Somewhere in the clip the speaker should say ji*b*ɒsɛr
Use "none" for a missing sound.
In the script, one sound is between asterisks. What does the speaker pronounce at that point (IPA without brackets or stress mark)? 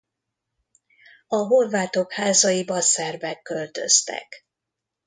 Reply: b